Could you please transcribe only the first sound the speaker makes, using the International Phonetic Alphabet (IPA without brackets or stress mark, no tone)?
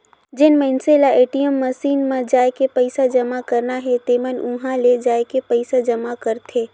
d͡ʒ